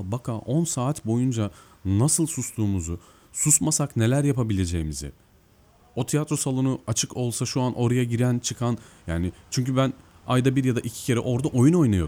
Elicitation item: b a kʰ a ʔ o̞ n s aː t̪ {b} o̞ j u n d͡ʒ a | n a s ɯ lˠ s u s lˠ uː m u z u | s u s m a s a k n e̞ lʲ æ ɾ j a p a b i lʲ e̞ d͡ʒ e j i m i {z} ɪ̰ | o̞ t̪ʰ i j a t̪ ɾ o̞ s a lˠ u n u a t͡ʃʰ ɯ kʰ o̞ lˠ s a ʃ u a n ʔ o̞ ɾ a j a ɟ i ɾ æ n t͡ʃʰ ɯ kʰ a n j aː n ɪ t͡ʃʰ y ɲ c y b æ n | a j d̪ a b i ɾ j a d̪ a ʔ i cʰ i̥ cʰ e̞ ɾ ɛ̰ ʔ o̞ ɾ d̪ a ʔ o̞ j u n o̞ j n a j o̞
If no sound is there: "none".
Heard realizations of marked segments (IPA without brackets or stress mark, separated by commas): b, z